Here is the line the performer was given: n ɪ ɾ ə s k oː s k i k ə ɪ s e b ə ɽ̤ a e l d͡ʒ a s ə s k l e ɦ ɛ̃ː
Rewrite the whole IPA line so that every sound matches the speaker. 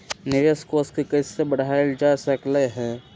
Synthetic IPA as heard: n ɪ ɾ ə s k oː s k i k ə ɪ s e b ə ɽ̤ a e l d͡ʒ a s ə k l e ɦ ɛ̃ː